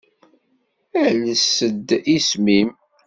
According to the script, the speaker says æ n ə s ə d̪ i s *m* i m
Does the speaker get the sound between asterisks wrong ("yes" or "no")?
no